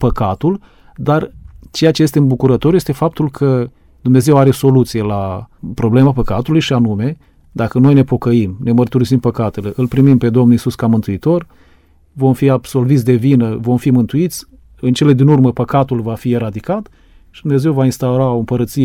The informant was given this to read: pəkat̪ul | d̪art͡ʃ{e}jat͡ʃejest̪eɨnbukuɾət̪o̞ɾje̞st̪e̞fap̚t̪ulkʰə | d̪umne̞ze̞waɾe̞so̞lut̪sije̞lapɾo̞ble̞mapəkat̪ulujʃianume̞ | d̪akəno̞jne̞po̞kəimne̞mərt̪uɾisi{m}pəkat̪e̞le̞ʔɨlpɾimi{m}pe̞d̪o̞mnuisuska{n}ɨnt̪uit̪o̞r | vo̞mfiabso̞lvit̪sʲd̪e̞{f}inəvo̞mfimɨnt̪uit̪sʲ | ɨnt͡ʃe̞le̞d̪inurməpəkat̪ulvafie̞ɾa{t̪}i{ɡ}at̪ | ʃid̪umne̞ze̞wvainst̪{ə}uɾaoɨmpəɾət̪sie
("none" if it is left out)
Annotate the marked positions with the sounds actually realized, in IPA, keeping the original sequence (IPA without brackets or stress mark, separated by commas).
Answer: e, m, m, m, v, d̪, k, a